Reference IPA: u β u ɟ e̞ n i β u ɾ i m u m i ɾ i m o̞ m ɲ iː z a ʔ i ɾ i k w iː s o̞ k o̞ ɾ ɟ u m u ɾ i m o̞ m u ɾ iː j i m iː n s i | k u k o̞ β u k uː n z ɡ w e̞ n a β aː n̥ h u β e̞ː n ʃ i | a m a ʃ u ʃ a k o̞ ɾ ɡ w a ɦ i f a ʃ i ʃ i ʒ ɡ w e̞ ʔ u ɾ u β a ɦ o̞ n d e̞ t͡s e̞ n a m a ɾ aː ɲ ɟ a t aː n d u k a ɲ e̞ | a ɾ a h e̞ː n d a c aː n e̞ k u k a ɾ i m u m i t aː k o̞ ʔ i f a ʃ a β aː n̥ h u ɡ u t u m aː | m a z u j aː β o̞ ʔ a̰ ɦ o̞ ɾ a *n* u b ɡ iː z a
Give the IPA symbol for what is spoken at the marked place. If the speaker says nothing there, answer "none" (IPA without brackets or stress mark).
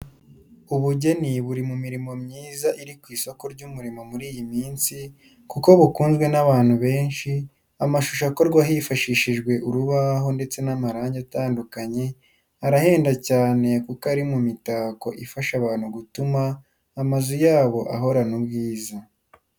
n